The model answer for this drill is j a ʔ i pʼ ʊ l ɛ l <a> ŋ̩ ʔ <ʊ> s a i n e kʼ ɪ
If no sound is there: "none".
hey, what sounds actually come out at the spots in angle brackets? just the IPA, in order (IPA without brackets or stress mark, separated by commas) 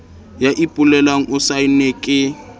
a, ʊ